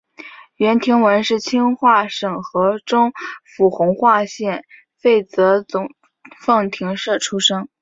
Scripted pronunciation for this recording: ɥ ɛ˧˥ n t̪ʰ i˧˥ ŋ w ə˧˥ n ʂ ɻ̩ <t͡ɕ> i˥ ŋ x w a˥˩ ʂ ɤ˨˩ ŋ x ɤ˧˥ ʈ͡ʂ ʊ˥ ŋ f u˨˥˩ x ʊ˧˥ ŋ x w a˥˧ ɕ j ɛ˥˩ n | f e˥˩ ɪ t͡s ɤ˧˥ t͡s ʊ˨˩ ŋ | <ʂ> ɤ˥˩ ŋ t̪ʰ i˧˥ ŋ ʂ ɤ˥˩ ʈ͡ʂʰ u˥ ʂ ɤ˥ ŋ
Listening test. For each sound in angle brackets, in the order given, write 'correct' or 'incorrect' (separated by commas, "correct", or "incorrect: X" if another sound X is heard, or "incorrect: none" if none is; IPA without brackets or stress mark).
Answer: incorrect: t͡ɕʰ, incorrect: f